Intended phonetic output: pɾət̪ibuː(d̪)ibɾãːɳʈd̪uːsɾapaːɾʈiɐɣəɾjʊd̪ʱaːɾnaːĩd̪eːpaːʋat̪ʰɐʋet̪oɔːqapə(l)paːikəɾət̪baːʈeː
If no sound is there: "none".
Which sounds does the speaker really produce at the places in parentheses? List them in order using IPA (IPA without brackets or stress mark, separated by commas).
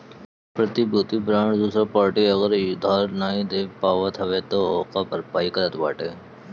t̪, ɾ